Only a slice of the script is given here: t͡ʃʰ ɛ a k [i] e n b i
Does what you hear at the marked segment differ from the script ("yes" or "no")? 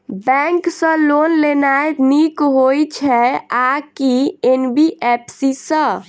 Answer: no